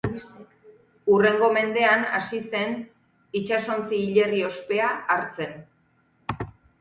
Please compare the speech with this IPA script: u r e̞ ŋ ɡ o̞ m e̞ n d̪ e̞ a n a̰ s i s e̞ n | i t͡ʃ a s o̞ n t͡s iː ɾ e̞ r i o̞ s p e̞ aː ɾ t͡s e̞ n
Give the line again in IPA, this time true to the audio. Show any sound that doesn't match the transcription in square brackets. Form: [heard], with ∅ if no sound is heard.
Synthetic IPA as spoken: u r e̞ ŋ ɡ o̞ m e̞ n d̪ e̞ a n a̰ s i s e̞ n | i t͡ʃ a s o̞ n t͡s iː [ʎ] e̞ r i o̞ s p e̞ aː ɾ t͡s e̞ n